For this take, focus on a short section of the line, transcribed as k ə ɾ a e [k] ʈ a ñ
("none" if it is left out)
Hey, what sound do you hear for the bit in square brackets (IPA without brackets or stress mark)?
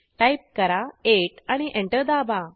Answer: none